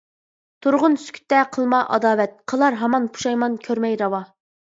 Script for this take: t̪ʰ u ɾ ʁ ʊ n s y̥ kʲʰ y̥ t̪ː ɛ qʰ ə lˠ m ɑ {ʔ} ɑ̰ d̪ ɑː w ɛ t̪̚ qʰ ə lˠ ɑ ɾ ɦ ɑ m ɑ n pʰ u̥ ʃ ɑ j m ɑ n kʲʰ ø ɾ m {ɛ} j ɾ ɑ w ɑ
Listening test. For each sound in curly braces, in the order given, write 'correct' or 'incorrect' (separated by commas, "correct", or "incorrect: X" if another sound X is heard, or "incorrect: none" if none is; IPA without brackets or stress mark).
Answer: correct, correct